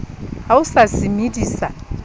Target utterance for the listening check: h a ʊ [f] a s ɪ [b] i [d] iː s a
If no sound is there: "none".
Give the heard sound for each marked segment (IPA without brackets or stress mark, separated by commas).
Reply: s, m, d